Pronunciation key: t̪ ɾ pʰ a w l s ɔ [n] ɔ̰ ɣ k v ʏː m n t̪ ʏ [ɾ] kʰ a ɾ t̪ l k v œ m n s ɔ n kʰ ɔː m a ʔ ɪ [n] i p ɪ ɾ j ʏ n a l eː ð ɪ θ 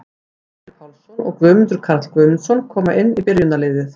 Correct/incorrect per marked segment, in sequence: correct, correct, incorrect

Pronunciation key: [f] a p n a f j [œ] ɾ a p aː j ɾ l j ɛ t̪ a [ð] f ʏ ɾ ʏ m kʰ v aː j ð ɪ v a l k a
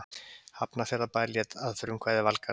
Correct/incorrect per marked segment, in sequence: incorrect, incorrect, correct

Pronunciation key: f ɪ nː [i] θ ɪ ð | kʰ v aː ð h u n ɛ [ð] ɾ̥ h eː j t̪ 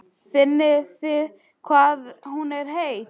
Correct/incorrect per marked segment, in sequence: incorrect, incorrect

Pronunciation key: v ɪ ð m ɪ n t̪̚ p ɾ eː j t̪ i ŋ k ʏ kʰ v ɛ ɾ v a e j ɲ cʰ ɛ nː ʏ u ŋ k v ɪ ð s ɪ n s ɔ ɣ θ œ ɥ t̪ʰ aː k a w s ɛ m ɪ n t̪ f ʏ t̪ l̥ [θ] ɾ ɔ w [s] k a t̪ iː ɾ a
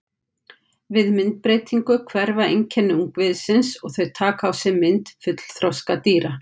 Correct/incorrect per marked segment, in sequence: correct, correct

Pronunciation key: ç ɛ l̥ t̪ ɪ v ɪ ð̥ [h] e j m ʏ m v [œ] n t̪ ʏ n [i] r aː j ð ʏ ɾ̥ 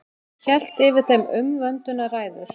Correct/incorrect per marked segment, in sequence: incorrect, correct, incorrect

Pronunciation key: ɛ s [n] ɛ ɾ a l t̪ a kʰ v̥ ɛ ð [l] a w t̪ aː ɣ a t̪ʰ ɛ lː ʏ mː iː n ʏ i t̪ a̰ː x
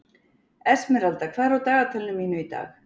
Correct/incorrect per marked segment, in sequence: incorrect, incorrect

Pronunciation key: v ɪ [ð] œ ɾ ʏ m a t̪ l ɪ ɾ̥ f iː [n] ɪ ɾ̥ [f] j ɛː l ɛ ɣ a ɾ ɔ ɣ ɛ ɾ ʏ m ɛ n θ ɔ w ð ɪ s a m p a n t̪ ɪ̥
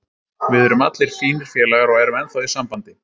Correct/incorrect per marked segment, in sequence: correct, correct, correct

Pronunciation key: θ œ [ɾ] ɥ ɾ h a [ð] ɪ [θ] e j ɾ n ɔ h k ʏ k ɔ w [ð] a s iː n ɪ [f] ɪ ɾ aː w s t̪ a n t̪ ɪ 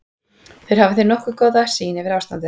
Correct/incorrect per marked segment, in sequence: incorrect, incorrect, correct, correct, incorrect

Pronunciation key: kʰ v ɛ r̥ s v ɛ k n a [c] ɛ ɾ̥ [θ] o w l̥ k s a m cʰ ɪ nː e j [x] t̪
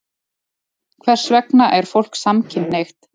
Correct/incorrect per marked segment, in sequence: incorrect, incorrect, correct

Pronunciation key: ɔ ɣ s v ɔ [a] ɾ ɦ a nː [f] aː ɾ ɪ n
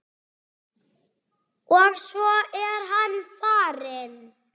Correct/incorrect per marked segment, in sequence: incorrect, correct

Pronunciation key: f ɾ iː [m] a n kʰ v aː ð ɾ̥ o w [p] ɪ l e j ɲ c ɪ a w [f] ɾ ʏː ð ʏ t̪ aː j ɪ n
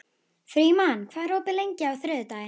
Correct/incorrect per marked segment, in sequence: correct, correct, incorrect

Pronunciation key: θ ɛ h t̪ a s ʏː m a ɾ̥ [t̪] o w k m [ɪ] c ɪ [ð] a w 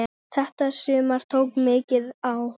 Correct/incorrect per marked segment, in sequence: incorrect, incorrect, correct

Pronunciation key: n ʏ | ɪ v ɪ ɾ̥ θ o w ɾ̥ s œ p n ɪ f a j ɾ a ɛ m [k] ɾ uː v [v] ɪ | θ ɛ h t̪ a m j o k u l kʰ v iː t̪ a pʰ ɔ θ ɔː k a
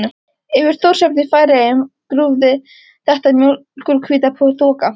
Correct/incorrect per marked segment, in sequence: correct, incorrect

